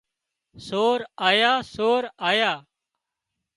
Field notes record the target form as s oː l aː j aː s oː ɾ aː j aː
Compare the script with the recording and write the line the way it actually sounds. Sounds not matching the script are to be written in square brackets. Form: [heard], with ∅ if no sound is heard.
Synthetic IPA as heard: s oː [ɾ] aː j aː s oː ɾ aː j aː